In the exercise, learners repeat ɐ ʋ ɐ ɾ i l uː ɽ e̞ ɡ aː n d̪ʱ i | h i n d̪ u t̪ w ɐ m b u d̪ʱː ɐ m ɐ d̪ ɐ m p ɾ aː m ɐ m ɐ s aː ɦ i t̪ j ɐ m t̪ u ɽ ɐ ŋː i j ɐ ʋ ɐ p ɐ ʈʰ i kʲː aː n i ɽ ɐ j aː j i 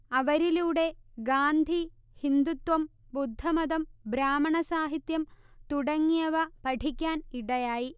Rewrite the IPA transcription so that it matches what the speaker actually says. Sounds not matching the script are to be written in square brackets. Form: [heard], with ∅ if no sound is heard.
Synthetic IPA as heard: ɐ ʋ ɐ ɾ i l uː ɽ e̞ ɡ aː n d̪ʱ i | h i n d̪ u t̪ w ɐ m b u d̪ʱː ɐ m ɐ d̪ ɐ m [b] ɾ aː m ɐ [ɳ] ɐ s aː ɦ i t̪ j ɐ m t̪ u ɽ ɐ ŋː i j ɐ ʋ ɐ p ɐ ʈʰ i kʲː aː n i ɽ ɐ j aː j i

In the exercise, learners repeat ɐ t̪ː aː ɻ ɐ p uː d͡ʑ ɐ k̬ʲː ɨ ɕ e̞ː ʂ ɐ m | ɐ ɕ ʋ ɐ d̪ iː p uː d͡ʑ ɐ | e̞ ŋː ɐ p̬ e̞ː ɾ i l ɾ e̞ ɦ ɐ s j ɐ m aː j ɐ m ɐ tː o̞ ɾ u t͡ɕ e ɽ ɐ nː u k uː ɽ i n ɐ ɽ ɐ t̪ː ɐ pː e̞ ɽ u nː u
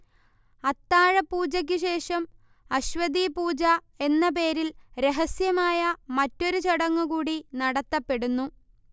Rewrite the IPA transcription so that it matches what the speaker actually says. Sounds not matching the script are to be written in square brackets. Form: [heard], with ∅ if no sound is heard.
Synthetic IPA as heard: ɐ t̪ː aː ɻ ɐ p uː d͡ʑ ɐ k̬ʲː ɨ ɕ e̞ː ʂ ɐ m | ɐ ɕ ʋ ɐ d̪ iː p uː d͡ʑ ɐ | e̞ [nː] ɐ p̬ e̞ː ɾ i l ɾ e̞ ɦ ɐ s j ɐ m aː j ɐ m ɐ tː o̞ ɾ u t͡ɕ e ɽ ɐ [ŋː] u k uː ɽ i n ɐ ɽ ɐ t̪ː ɐ pː e̞ ɽ u nː u

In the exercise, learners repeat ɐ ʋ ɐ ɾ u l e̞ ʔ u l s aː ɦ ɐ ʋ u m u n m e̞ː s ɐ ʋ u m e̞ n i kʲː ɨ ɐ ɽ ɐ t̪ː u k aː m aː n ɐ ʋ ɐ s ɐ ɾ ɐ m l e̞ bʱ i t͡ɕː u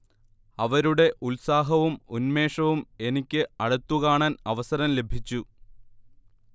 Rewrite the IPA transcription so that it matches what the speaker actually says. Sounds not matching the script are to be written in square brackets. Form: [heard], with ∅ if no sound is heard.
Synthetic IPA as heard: ɐ ʋ ɐ ɾ u [ɽ] e̞ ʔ u l s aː ɦ ɐ ʋ u m u n m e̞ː [ʂ] ɐ ʋ u m e̞ n i kʲː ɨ ɐ ɽ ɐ t̪ː u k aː [ɳ] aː n ɐ ʋ ɐ s ɐ ɾ ɐ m l e̞ bʱ i t͡ɕː u

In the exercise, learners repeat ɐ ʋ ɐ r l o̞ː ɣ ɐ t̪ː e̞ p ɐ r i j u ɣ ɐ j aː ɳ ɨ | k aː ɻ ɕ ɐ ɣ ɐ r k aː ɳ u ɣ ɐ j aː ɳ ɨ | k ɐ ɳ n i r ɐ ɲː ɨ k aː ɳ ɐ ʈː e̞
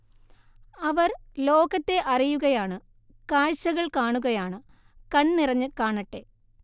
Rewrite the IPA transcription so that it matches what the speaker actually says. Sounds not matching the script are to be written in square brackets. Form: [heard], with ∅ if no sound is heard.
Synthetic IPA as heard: ɐ ʋ ɐ r l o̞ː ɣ ɐ t̪ː e̞ [ʔ] ɐ r i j u ɣ ɐ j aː ɳ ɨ | k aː ɻ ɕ ɐ ɣ ɐ [ɭ] k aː ɳ u ɣ ɐ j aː ɳ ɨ | k ɐ ɳ n i r ɐ ɲː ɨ k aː ɳ ɐ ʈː e̞

